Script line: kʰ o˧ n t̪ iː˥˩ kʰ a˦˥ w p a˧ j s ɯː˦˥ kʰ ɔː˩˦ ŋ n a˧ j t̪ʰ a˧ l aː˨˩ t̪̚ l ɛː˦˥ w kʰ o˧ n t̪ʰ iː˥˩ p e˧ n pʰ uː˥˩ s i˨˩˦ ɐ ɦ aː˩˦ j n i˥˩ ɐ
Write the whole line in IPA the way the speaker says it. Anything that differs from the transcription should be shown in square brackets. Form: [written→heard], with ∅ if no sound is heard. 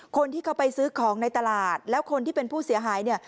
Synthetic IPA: kʰ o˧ n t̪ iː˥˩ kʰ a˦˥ w p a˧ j s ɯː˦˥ kʰ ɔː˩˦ ŋ n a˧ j [t̪ʰ→t̪] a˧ l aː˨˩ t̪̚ l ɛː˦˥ w kʰ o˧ n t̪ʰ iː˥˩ p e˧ n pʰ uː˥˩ s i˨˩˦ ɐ ɦ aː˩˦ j n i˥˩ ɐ